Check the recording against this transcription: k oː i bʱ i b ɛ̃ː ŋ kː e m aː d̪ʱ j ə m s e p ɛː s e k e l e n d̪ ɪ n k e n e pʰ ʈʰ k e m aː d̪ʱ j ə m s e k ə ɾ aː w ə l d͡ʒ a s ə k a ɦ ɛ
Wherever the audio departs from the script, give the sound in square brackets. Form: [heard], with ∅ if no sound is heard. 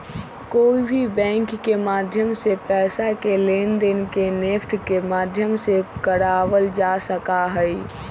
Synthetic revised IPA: k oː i bʱ i b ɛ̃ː ŋ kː e m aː d̪ʱ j ə m s e p ɛː s [a] k e l e n d̪ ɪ n k e n e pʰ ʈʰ k e m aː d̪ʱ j ə m s e k ə ɾ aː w ə l d͡ʒ a s ə k a ɦ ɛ